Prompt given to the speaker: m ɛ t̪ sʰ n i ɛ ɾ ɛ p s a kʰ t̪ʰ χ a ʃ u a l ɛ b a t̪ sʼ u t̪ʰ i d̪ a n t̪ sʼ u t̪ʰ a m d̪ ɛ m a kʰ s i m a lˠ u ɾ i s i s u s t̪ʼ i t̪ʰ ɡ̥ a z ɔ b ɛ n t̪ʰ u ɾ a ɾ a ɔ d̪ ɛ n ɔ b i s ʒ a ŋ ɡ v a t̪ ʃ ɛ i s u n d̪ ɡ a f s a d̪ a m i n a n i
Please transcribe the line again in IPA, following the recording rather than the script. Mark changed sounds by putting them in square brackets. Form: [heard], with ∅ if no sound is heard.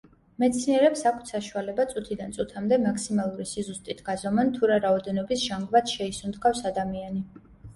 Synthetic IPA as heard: m ɛ t̪ sʰ n i ɛ ɾ ɛ p s a kʰ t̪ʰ [s] a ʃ u a l ɛ b a t̪ sʼ u t̪ʰ i d̪ a n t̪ sʼ u t̪ʰ a m d̪ ɛ m a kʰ s i m a lˠ u ɾ i s i [z] u s t̪ʼ i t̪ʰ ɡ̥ a z ɔ [m] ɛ n t̪ʰ u ɾ a ɾ a ɔ d̪ ɛ n ɔ b i s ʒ a ŋ ɡ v a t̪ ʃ ɛ i s u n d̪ ɡ a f s a d̪ a m i [∅] a n i